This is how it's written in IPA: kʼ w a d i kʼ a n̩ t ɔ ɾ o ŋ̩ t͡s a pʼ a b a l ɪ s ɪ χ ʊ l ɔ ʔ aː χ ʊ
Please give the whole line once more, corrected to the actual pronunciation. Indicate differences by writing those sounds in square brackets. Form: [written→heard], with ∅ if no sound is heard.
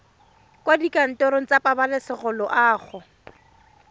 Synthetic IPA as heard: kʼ w a d i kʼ a n̩ t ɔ ɾ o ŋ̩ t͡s a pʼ a b a l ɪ s ɪ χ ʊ l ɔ ʔ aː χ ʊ